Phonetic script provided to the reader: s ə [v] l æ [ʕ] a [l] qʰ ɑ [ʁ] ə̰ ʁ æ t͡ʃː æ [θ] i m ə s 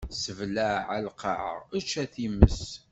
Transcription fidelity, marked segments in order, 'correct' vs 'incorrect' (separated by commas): correct, correct, correct, incorrect, correct